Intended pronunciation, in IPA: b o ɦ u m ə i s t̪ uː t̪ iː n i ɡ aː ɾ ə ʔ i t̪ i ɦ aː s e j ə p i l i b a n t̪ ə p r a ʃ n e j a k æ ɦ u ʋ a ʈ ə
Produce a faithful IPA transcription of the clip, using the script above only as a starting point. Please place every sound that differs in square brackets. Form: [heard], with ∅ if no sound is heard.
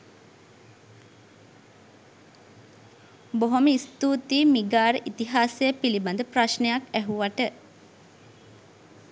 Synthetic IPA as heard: b o ɦ [o] m ə i s t̪ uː t̪ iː [m] i ɡ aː ɾ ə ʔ i t̪ i ɦ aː s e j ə p i l i b a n [d̪] ə p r a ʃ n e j a k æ ɦ u ʋ a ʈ ə